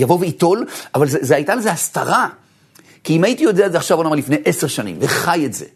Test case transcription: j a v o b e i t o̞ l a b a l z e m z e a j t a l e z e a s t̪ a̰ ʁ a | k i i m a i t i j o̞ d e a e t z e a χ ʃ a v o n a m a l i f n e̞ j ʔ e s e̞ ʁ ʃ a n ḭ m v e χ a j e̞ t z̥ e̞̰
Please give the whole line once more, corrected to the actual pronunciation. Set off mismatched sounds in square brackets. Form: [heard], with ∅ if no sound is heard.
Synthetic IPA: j a v o [v] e i t o̞ l a [v] a l z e [∅] z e a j t a l e z e a s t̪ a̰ ʁ a | k i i m a i t i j o̞ d e a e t z e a χ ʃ a v o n a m a l i f n e̞ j ʔ e s e̞ ʁ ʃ a n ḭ m v e χ a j e̞ t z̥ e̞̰